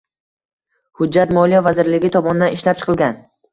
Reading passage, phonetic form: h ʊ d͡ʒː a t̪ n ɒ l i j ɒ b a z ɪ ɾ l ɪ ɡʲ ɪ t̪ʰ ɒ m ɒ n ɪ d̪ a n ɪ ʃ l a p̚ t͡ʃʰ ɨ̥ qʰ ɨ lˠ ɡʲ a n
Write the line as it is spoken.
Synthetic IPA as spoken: h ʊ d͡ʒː a t̪ m ɒ l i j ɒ v a z ɪ ɾ l ɪ ɡʲ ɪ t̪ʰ ɒ m ɒ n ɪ d̪ a n ɪ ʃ l a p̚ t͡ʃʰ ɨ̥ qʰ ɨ lˠ ɡʲ a n